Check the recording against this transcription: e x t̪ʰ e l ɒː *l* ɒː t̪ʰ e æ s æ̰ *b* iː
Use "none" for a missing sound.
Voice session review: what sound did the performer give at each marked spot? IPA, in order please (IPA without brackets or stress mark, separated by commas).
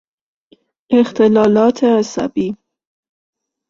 l, b